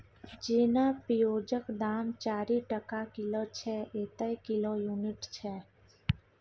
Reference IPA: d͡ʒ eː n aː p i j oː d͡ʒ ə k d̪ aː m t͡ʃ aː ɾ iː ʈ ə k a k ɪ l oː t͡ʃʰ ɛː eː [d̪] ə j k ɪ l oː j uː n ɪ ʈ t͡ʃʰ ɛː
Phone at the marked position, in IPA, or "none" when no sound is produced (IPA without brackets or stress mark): t̪